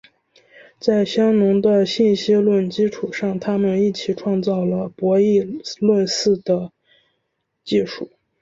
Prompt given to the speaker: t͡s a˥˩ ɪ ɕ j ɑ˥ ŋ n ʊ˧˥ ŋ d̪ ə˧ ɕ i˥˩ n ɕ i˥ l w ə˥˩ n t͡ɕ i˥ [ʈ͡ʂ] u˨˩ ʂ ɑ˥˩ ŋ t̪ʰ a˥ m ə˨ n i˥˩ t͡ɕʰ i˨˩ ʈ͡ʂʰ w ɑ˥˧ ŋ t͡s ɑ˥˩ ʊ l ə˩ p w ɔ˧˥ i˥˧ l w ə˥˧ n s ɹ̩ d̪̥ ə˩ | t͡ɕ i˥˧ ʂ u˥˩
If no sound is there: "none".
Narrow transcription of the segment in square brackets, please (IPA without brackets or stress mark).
ʈ͡ʂʰ